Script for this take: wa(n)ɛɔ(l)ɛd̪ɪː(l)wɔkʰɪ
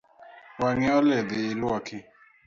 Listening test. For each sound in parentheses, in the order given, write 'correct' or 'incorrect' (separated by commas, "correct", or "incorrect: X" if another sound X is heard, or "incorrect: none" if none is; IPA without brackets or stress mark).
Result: incorrect: ŋ, correct, correct